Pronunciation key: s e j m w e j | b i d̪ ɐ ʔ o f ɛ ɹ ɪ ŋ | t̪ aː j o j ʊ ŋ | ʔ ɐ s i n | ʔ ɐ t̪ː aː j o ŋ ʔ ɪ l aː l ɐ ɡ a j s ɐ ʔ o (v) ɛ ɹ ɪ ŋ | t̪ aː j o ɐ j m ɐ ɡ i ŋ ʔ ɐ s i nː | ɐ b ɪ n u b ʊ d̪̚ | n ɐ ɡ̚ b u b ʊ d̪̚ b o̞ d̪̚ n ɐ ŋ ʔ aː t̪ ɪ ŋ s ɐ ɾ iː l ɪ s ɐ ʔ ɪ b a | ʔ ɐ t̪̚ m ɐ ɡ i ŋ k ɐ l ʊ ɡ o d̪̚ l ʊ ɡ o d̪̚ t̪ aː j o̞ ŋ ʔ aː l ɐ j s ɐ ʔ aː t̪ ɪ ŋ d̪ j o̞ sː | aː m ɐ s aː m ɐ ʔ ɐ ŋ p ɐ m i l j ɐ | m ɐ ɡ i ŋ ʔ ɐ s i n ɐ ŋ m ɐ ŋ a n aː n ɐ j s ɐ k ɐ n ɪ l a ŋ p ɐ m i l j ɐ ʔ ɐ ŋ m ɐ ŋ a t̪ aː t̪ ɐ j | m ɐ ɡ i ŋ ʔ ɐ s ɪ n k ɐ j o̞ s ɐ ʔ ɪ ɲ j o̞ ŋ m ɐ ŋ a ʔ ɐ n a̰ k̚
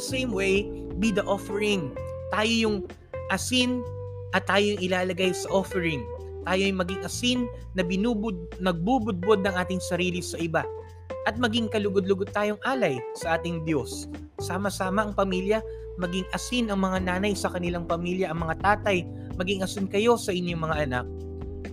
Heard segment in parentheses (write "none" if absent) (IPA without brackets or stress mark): f